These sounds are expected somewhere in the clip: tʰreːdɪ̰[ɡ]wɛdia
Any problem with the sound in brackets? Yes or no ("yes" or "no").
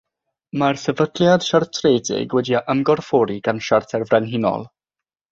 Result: no